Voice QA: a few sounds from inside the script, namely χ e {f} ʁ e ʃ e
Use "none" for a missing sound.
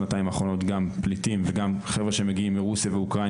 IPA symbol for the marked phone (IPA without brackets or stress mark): v